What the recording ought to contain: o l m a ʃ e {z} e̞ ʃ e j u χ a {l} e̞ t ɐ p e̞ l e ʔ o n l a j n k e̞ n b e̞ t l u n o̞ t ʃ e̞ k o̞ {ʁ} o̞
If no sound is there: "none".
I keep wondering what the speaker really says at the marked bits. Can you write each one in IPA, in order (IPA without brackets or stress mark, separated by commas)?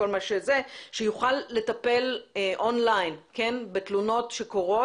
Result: z, lː, ʁ